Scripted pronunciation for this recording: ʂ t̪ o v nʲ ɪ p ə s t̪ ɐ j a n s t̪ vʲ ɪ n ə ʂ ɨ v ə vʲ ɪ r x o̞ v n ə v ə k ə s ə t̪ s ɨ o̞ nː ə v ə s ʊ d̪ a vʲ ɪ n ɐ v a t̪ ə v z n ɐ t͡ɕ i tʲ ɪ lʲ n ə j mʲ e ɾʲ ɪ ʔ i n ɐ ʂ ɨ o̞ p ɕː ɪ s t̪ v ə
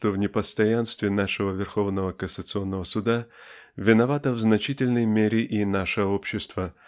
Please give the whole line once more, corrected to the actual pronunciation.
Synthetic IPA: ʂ t̪ o v nʲ ɪ p ə s t̪ ɐ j a n s t̪ vʲ ɪ n a ʂ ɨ v ə vʲ ɪ r x o̞ v n ə v ə k ə s ə t̪ s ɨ o̞ nː ə v ə s ʊ d̪ a vʲ ɪ n ɐ v a t̪ ə v z n ɐ t͡ɕ i tʲ ɪ lʲ n ə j mʲ e ɾʲ ɪ ʔ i n a ʂ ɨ o̞ p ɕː ɪ s t̪ v ə